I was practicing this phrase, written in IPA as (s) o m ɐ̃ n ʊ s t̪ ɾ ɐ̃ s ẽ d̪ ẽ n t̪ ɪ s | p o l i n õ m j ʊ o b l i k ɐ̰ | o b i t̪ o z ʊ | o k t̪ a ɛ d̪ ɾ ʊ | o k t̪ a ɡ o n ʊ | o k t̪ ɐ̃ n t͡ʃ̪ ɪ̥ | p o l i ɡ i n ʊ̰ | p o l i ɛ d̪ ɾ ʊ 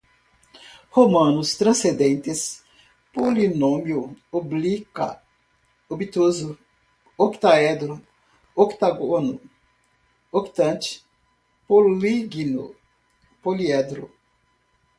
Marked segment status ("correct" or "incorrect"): incorrect